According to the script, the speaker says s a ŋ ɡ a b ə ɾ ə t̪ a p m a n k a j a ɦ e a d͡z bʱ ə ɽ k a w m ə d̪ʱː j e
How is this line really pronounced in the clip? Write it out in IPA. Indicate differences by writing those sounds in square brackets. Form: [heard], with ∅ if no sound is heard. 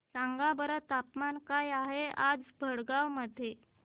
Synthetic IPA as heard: s a ŋ ɡ a b ə ɾ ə t̪ a p m a n k a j a ɦ e a d͡z bʱ ə ɽ [ɡ] a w m ə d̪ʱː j e